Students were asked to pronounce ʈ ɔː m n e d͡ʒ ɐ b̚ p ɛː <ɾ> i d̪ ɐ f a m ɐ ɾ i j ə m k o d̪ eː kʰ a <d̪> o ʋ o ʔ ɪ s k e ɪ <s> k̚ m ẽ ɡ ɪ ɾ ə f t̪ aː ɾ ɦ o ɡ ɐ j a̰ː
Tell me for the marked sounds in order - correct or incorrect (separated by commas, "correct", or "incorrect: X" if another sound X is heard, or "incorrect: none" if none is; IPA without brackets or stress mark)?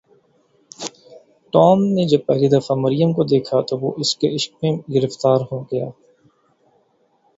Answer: incorrect: l, incorrect: t̪, incorrect: ʃ